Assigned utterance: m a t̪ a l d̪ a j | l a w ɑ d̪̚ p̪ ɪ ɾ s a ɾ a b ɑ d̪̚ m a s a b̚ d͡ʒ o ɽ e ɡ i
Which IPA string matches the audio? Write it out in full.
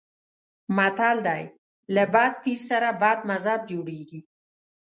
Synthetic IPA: m a t̪ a l d̪ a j | l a b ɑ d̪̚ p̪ i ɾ s a ɾ a b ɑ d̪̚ m a z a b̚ d͡ʒ o ɽ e ɡ i